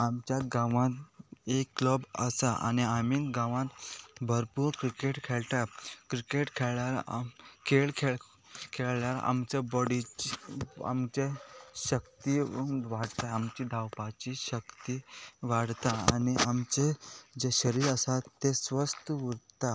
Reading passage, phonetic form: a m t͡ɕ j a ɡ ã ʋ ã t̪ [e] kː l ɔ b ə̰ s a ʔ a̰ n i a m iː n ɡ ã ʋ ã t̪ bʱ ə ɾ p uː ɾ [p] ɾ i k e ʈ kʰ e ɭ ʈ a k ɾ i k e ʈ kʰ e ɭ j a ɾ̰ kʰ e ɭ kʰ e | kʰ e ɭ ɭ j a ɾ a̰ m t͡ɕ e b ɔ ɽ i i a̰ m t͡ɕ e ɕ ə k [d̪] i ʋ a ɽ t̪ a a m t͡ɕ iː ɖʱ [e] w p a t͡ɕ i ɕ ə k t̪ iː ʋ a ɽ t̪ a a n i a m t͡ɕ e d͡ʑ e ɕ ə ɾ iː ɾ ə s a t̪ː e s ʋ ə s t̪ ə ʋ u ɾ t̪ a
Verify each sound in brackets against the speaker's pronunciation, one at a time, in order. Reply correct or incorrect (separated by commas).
correct, incorrect, incorrect, incorrect